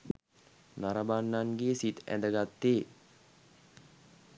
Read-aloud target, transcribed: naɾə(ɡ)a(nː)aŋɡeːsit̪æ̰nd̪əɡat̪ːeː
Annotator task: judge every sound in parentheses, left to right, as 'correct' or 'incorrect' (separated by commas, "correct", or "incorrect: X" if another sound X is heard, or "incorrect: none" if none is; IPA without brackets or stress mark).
incorrect: b, correct